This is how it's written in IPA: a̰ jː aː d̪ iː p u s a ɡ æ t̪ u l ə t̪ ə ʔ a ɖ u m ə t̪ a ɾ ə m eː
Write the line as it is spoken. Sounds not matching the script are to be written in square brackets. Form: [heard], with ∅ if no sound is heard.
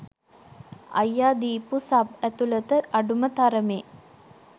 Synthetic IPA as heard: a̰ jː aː d̪ iː p u s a [b] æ t̪ u l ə t̪ ə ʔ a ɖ u m ə t̪ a ɾ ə m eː